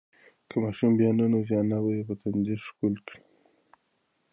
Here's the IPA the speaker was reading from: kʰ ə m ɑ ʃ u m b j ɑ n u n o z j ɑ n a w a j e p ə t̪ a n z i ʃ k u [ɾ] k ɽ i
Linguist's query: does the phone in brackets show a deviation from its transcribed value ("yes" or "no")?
yes